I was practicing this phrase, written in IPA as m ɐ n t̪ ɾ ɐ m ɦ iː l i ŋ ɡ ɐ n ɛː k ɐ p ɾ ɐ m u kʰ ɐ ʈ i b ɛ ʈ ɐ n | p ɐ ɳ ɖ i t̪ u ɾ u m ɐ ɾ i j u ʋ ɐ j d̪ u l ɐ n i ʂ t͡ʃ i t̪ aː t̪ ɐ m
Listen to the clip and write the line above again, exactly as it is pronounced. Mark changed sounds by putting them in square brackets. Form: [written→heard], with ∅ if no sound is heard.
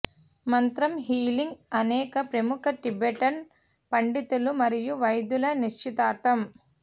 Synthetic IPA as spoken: m ɐ n t̪ ɾ ɐ m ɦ iː l i ŋ ɡ ɐ n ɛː k ɐ p ɾ ɐ m u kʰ ɐ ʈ i b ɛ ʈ ɐ n | p ɐ ɳ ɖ i t̪ u [ɾ→l] u m ɐ ɾ i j u ʋ ɐ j d̪ u l ɐ n i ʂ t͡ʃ i t̪ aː t̪ ɐ m